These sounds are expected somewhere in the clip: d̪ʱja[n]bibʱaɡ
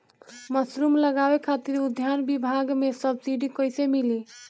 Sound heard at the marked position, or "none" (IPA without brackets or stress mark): n